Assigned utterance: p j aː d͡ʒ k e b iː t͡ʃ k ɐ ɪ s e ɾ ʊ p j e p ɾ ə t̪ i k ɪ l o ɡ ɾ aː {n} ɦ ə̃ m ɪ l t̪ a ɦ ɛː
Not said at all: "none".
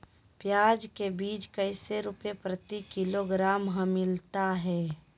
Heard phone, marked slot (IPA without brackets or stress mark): m